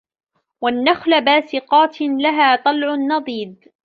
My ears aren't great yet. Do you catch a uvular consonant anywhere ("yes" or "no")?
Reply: yes